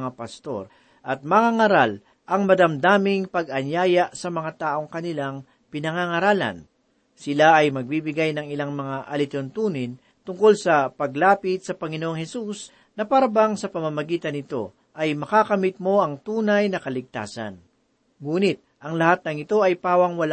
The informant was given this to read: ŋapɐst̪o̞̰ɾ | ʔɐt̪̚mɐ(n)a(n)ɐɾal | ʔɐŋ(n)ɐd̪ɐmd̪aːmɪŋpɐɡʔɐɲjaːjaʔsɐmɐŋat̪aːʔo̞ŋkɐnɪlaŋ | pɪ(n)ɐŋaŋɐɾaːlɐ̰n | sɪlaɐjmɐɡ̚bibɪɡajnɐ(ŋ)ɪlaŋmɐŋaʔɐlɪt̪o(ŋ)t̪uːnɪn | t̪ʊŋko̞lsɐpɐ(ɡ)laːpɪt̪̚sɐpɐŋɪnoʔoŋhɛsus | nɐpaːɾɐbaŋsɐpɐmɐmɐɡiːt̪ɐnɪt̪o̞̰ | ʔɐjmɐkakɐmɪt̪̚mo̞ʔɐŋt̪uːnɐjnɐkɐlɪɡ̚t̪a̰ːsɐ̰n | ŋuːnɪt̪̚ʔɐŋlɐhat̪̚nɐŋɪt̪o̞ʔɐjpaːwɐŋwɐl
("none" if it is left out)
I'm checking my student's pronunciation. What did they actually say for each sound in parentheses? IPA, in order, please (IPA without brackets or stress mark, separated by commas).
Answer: ŋ, ŋ, m, n, ŋ, n, ɡ